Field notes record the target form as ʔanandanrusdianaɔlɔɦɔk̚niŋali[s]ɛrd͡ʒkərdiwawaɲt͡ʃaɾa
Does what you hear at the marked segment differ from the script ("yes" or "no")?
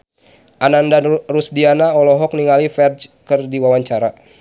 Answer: yes